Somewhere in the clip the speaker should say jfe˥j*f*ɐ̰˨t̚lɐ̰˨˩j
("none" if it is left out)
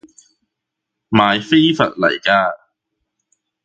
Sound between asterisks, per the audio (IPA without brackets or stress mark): f